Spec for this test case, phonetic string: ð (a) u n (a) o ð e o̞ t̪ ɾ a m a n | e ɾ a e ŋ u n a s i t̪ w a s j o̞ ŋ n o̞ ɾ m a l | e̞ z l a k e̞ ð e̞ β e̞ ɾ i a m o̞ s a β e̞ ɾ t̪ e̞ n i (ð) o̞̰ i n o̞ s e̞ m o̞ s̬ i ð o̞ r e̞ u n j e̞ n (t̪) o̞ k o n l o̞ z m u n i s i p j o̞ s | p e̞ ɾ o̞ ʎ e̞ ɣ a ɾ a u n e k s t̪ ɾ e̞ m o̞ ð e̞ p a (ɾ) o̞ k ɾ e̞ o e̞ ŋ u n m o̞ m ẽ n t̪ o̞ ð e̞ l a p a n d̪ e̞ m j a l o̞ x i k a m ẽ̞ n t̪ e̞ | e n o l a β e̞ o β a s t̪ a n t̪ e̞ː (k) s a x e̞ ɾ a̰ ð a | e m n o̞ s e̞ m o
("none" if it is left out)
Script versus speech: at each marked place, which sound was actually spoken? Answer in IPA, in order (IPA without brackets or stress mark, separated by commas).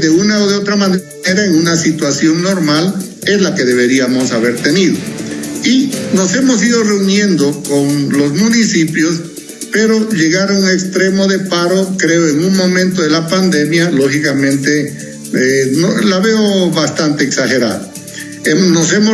e, a, ð, d̪, ɾ, k